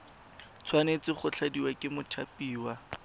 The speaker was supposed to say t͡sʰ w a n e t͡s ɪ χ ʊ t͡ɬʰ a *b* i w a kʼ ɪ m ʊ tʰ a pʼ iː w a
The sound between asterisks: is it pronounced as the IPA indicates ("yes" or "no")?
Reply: no